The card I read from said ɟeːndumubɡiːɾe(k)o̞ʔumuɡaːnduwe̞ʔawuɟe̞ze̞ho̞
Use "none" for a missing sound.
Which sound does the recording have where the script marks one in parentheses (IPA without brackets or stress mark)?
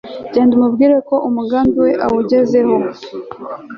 k